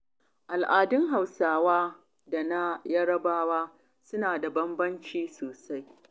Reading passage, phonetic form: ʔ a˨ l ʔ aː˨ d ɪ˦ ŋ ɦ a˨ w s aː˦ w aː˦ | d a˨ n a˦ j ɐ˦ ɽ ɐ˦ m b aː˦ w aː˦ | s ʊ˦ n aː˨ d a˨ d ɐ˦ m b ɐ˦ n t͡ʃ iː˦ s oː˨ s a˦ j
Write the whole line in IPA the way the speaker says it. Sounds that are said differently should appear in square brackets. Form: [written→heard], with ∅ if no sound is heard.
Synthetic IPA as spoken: ʔ a˨ l ʔ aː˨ d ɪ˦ ŋ ɦ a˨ w s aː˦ w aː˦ | d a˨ n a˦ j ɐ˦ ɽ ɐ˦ [m→∅] b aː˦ w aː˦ | s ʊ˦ n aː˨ d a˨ [d→b] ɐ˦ m b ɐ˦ n t͡ʃ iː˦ s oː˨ s a˦ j